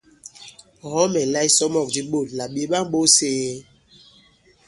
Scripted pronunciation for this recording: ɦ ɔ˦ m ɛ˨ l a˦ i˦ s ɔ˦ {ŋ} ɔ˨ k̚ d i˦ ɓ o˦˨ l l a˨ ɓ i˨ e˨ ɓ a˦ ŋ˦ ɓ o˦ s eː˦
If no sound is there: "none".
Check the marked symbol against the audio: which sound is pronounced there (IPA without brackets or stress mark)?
m